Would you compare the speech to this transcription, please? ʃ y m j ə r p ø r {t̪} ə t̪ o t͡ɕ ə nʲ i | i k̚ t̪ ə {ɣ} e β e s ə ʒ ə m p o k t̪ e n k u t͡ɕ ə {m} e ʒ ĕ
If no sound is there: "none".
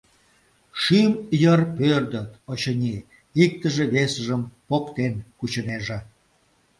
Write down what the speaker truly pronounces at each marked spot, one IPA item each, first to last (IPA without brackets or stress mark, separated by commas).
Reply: d̪, ʒ, n